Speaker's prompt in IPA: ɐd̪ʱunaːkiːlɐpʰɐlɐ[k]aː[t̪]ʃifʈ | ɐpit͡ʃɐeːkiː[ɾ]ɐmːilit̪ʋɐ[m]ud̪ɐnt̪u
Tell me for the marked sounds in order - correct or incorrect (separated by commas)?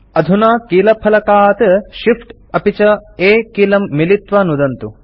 correct, correct, incorrect, incorrect